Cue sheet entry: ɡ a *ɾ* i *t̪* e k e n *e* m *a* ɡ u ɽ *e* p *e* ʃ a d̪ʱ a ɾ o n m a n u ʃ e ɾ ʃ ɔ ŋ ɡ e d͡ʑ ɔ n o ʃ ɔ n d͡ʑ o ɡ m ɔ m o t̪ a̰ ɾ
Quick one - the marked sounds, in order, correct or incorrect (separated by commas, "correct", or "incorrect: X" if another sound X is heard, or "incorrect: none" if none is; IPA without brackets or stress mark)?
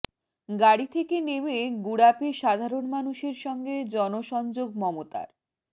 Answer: incorrect: ɽ, incorrect: t̪ʰ, correct, incorrect: e, incorrect: a, correct